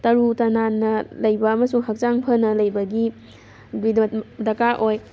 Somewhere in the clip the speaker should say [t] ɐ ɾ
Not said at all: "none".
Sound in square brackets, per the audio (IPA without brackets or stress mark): t